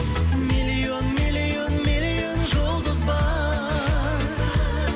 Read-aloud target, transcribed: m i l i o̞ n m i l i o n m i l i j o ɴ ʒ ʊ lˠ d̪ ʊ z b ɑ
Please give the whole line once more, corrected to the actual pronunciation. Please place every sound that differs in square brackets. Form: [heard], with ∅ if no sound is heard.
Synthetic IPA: m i l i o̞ n m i l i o n m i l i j o [n] ʒ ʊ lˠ d̪ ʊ z b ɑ

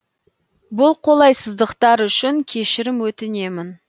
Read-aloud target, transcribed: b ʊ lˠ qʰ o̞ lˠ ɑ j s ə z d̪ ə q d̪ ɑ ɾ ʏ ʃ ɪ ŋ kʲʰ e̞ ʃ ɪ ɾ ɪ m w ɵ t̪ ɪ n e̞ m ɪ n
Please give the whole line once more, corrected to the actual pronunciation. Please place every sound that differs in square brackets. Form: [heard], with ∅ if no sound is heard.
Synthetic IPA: b ʊ lˠ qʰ o̞ lˠ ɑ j s ə z d̪ ə q [t̪] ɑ ɾ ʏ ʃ ɪ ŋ kʲʰ e̞ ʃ ɪ ɾ ɪ m w ɵ t̪ ɪ n e̞ m ɪ n

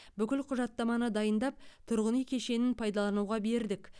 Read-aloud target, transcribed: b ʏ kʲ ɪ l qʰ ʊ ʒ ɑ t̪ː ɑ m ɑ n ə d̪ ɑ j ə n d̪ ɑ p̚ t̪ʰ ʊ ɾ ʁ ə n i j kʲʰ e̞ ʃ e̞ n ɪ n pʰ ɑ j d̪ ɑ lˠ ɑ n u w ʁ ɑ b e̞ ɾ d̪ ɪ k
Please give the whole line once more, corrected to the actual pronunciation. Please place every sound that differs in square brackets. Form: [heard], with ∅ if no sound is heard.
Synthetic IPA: b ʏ kʲ ɪ l qʰ ʊ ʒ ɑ t̪ː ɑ m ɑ n ə d̪ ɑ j ə n d̪ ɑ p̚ t̪ʰ ʊ ɾ ʁ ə n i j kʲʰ e̞ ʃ e̞ n ɪ n pʰ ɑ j d̪ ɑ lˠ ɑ n u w ʁ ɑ b e̞ ɾ d̪ ɪ k

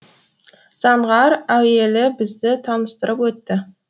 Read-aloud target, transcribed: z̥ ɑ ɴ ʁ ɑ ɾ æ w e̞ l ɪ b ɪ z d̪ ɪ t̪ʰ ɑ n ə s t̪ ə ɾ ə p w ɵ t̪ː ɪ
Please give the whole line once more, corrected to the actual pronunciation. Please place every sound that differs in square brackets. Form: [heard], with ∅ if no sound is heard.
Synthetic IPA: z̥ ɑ ɴ ʁ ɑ ɾ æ w e̞ l ɪ b ɪ z d̪ ɪ t̪ʰ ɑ n ə s t̪ ə ɾ ə p w ɵ t̪ː ɪ

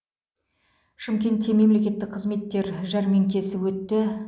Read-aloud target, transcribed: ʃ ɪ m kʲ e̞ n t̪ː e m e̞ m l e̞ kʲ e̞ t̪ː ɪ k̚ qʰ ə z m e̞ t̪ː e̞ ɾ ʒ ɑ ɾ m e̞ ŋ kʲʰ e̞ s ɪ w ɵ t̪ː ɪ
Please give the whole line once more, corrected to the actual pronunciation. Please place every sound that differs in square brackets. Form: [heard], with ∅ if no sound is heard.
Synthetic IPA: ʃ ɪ m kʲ e̞ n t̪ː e m e̞ m l e̞ kʲ e̞ t̪ː ɪ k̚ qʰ ə z m e̞ t̪ː e̞ ɾ ʒ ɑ ɾ m e̞ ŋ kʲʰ e̞ s ɪ w ɵ t̪ː ɪ

